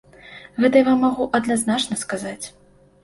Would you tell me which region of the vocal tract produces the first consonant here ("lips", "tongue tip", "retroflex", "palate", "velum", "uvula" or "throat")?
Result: velum